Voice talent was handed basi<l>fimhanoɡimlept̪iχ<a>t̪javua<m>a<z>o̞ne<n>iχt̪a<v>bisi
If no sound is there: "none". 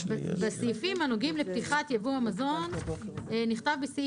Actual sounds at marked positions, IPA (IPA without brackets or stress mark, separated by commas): none, a, m, z, n, v